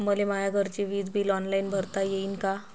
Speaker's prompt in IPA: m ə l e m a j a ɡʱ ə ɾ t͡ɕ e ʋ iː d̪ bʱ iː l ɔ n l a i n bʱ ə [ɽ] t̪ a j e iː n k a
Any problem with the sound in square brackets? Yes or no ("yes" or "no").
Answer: yes